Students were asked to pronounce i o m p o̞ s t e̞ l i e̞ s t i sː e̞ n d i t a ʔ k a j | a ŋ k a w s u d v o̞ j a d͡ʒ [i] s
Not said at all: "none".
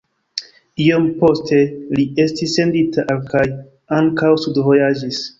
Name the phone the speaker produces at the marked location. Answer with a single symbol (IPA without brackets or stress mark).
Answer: i